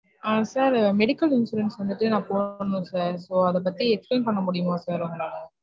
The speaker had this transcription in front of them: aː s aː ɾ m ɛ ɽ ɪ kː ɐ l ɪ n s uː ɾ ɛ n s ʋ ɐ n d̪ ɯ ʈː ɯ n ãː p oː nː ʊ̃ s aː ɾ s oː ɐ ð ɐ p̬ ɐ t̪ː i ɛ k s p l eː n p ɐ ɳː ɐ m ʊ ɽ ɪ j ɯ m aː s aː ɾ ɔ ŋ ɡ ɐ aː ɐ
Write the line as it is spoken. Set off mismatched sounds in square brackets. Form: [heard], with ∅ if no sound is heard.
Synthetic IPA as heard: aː s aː ɾ m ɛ ɽ ɪ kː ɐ l ɪ n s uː ɾ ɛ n s ʋ ɐ n d̪ ɯ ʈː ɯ n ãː p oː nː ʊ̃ s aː ɾ s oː ɐ ð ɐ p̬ ɐ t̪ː i ɛ k s p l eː n p ɐ ɳː ɐ m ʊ ɽ ɪ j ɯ m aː s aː ɾ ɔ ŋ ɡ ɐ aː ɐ

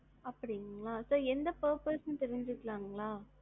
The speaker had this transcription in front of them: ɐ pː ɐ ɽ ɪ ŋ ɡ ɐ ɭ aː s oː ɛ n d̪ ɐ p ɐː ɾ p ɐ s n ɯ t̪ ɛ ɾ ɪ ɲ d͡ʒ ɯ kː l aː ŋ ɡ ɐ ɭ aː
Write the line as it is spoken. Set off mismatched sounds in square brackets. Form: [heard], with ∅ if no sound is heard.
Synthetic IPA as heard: ɐ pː ɐ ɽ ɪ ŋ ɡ ɐ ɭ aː s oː ɛ n d̪ ɐ p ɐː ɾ p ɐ s n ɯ t̪ ɛ ɾ ɪ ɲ d͡ʒ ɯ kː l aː ŋ ɡ ɐ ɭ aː

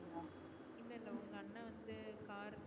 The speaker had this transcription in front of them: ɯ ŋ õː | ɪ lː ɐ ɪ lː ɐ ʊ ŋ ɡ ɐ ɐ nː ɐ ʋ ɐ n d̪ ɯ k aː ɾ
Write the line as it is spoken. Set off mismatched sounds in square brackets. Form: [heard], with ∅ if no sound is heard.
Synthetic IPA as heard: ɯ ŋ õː | ɪ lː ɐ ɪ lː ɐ ʊ ŋ ɡ ɐ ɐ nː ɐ ʋ ɐ n d̪ ɯ k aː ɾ

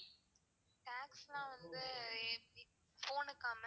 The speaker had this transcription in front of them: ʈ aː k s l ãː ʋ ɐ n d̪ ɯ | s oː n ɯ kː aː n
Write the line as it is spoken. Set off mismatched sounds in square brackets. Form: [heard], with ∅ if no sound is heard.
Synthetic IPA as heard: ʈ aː k s l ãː ʋ ɐ n d̪ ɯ | [f] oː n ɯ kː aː [m]

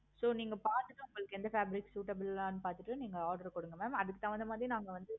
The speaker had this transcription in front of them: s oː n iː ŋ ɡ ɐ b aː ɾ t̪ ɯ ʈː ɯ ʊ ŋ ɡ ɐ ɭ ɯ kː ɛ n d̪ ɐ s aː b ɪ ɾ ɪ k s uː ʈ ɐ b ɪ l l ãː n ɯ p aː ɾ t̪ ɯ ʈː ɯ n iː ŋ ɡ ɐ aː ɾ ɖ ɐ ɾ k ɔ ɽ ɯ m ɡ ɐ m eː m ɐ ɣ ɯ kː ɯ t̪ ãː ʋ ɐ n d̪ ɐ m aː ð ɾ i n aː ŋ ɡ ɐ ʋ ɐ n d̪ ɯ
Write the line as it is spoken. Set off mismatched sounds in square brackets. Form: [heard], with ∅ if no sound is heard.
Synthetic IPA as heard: s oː n iː ŋ ɡ ɐ [p] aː ɾ t̪ ɯ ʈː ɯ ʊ ŋ ɡ ɐ ɭ ɯ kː ɛ n d̪ ɐ [f] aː b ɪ ɾ ɪ k s uː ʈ ɐ b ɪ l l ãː n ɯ p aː ɾ t̪ ɯ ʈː ɯ n iː ŋ ɡ ɐ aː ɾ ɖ ɐ ɾ k ɔ ɽ ɯ [ŋ] ɡ ɐ m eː m ɐ [ð] ɯ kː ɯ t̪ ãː ʋ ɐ n d̪ ɐ m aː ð ɾ i n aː ŋ ɡ ɐ ʋ ɐ n d̪ ɯ

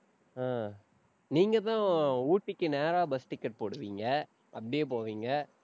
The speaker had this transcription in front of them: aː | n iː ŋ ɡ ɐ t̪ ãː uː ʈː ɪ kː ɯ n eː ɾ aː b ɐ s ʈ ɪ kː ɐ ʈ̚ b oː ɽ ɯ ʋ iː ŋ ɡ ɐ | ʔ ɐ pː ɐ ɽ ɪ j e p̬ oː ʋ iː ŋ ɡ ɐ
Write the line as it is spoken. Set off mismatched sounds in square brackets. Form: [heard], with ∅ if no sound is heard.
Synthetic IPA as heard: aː | n iː ŋ ɡ ɐ t̪ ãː uː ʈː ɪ kː ɯ n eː ɾ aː b ɐ s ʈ ɪ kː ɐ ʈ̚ [p] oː ɽ ɯ ʋ iː ŋ ɡ ɐ | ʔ ɐ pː ɐ ɽ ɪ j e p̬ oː ʋ iː ŋ ɡ ɐ

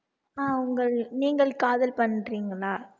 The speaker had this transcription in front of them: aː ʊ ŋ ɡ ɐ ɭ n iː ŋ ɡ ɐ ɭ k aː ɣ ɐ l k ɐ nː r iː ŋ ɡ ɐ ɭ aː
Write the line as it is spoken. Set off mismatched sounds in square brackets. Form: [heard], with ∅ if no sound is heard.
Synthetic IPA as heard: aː ʊ ŋ ɡ ɐ ɭ n iː ŋ ɡ ɐ ɭ k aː [ð] ɐ l [p] ɐ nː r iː ŋ ɡ ɐ ɭ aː

